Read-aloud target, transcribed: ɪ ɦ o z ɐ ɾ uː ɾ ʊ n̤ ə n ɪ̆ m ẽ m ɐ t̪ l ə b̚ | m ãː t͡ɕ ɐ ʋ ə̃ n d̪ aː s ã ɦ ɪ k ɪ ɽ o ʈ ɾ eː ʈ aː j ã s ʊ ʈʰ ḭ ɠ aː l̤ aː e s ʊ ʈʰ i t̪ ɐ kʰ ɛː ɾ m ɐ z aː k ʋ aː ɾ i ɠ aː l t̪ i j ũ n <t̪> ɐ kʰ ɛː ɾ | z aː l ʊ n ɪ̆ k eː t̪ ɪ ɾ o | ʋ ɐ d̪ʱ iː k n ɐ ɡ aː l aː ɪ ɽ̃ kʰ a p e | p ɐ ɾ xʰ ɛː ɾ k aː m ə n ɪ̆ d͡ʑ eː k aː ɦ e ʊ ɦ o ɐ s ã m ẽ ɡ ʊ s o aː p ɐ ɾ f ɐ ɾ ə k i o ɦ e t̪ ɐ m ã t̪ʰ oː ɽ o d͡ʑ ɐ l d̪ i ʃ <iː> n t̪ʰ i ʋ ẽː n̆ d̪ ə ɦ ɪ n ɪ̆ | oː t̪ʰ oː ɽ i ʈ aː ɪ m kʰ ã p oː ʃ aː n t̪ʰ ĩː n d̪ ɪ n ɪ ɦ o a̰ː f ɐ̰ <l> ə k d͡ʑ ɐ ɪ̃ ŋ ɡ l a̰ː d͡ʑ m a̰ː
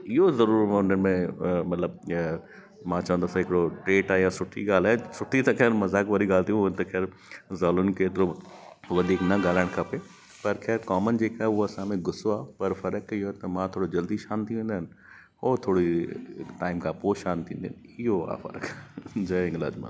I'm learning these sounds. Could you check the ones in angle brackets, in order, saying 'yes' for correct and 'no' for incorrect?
yes, no, no

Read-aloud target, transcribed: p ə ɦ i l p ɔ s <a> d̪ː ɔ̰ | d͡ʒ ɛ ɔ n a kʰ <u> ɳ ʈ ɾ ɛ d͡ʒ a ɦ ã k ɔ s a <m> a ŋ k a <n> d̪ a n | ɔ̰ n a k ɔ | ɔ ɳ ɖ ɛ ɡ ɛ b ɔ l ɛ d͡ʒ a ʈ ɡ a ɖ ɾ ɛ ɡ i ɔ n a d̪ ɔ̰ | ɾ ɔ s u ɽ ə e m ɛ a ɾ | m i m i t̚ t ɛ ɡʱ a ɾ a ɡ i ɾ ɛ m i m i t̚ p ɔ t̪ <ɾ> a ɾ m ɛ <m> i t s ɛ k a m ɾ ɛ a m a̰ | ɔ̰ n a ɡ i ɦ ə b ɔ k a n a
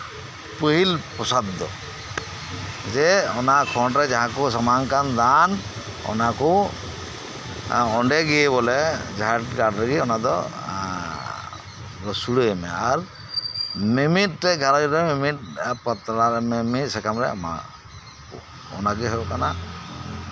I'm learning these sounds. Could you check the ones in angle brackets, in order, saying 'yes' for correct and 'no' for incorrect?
yes, no, yes, yes, yes, yes

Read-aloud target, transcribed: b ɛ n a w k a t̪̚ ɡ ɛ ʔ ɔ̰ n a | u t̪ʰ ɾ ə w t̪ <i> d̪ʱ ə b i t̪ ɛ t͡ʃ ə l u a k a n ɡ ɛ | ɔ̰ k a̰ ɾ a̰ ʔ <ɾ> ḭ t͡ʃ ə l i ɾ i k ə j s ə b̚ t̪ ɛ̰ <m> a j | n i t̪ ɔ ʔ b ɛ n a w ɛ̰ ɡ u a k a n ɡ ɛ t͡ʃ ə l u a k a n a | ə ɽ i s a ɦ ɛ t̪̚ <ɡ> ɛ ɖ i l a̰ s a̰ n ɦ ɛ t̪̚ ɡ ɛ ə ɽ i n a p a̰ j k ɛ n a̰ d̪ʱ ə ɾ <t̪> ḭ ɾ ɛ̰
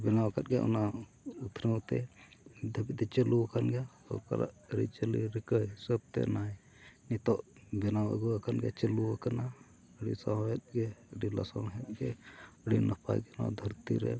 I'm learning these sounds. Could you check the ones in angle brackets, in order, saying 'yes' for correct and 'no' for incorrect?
no, yes, no, yes, yes

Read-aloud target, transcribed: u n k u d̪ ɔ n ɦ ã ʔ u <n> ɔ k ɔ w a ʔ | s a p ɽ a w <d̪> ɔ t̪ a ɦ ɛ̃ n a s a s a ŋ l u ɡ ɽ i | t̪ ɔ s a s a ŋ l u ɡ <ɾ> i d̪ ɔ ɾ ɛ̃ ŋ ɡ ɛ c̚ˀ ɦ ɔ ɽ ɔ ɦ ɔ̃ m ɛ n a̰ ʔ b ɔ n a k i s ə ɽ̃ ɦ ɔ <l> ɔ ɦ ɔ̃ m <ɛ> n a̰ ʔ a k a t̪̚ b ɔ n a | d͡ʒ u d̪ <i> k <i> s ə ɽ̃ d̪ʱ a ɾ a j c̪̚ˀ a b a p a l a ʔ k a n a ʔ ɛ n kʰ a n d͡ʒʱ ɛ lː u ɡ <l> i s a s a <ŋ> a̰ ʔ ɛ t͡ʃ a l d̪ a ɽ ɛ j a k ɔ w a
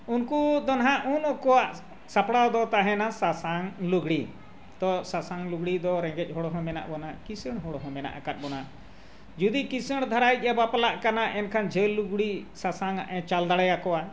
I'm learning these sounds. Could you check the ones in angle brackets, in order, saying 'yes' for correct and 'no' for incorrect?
yes, yes, no, no, yes, yes, yes, no, yes

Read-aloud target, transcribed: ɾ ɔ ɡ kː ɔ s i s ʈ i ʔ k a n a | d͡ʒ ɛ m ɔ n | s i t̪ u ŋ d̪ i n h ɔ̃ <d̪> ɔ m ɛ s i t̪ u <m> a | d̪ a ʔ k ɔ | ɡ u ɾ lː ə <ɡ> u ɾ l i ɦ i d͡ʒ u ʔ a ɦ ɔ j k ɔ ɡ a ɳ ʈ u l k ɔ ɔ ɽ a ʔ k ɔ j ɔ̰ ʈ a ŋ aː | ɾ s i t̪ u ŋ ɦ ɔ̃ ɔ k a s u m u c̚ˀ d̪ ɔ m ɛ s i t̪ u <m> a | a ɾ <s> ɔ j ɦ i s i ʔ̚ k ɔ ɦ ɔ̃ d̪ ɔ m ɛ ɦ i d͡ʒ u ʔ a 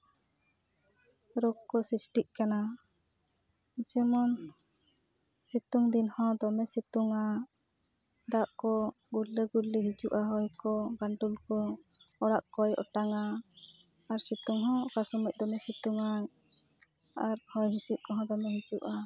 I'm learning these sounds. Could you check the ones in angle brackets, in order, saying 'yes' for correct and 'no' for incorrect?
yes, no, yes, no, no

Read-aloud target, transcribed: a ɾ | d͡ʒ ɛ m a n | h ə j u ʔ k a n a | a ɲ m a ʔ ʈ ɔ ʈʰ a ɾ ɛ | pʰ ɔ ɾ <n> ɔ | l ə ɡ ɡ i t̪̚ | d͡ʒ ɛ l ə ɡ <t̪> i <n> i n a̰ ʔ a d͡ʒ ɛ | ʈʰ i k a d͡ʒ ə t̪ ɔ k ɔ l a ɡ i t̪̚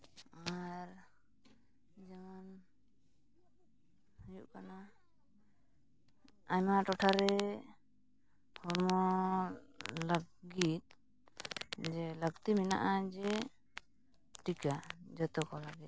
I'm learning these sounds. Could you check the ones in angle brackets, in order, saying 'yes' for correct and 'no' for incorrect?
no, yes, no

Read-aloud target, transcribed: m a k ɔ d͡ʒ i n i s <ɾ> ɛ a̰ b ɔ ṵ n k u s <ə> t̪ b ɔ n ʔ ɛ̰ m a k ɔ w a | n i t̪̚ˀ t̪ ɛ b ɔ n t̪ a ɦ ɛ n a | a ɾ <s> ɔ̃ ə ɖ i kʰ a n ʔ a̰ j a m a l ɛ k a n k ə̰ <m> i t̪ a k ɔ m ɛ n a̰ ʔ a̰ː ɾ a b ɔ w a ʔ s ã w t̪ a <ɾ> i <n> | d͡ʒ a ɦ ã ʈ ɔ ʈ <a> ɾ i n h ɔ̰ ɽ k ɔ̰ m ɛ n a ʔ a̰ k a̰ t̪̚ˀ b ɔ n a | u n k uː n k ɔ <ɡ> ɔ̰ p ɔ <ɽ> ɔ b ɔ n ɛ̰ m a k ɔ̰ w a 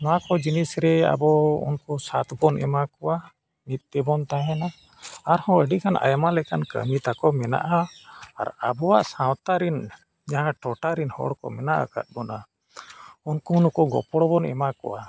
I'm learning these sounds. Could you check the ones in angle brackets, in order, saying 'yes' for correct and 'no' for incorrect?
yes, no, no, yes, yes, yes, yes, yes, yes

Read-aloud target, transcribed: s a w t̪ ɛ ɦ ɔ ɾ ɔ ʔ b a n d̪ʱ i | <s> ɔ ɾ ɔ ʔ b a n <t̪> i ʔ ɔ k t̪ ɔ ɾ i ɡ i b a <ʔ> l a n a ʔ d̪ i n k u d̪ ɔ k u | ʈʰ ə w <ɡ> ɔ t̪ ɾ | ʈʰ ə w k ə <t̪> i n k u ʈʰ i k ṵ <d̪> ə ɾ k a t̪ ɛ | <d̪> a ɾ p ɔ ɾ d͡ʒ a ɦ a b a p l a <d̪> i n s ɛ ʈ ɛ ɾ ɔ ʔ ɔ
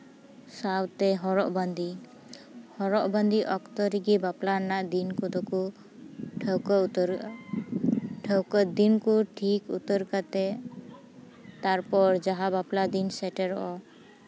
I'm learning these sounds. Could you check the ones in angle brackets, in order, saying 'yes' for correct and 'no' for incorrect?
no, no, no, no, no, no, no, yes

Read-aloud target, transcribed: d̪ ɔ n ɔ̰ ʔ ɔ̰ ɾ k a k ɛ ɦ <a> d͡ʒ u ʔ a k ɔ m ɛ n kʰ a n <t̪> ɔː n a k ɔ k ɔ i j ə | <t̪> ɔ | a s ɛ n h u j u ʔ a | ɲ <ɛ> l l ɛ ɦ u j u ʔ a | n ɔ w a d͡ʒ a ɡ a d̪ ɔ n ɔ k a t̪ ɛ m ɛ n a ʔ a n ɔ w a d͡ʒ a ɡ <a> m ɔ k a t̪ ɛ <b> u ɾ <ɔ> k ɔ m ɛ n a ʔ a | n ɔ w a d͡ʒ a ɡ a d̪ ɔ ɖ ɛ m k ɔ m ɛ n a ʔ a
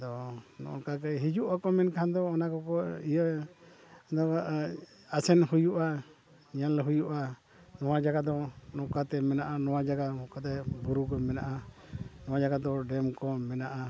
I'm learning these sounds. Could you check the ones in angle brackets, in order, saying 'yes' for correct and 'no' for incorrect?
no, no, no, no, yes, yes, no

